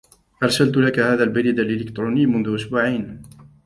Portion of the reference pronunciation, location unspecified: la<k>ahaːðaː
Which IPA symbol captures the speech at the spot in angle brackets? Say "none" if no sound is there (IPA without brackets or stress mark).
k